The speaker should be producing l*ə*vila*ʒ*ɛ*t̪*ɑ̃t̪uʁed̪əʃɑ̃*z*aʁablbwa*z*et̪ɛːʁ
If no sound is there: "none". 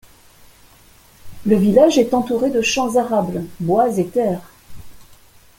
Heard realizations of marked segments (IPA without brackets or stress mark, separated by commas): ə, ʒ, t̪, z, z